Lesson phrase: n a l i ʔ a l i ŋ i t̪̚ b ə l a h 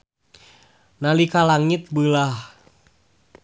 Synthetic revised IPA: n a l i k a l a ŋ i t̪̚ b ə l a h